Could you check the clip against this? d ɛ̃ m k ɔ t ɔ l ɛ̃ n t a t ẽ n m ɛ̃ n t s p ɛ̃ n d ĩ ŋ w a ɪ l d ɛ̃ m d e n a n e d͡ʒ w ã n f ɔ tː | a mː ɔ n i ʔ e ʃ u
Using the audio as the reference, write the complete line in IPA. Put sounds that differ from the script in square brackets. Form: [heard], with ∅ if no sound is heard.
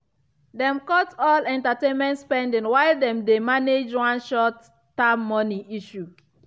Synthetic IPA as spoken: d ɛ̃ m k ɔ t ɔ l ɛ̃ n t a t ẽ n m ɛ̃ n t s p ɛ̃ n d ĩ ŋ w a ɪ l d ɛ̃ m d e [m] a n e d͡ʒ w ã n [ʃ] ɔ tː | a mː ɔ n i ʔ [i] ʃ u